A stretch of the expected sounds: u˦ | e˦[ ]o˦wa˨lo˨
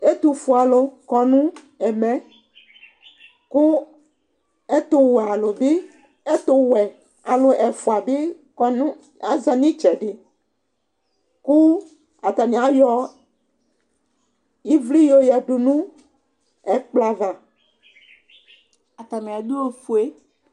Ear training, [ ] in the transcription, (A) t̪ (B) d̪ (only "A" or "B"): A